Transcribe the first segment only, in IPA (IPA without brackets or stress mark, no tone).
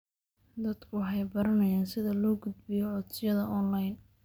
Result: d̪